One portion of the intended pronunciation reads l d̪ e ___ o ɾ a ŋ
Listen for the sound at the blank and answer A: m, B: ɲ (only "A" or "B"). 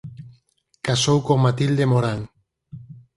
A